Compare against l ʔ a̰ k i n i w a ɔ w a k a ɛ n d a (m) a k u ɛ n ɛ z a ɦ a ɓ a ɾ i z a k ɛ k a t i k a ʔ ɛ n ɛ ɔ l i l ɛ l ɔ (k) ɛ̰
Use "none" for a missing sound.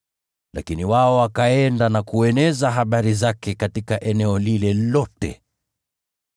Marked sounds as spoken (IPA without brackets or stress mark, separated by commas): n, t